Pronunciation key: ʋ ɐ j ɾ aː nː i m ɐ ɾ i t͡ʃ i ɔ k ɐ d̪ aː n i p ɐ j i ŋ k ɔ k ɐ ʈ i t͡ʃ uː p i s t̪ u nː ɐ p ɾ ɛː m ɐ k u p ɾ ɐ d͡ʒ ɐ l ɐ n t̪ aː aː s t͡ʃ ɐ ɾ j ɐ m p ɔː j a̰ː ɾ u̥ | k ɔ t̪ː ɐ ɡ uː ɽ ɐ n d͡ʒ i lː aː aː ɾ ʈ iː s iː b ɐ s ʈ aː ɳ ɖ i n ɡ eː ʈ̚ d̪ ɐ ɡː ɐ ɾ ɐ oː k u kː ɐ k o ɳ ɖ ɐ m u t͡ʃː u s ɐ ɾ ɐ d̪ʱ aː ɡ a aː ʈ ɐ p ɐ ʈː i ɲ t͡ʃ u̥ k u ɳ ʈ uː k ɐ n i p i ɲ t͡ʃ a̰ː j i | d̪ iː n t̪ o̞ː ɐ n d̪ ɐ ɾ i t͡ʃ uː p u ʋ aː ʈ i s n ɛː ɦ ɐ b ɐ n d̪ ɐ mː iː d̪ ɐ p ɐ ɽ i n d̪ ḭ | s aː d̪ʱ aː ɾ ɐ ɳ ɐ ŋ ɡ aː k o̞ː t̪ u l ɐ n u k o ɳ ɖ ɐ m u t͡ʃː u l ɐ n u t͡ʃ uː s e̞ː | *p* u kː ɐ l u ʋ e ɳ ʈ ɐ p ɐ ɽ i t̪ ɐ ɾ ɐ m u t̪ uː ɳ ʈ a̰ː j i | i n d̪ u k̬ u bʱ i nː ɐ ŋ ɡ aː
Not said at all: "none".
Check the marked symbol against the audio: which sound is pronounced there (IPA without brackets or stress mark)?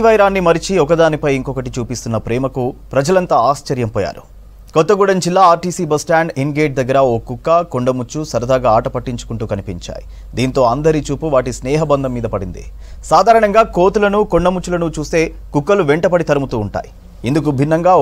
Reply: k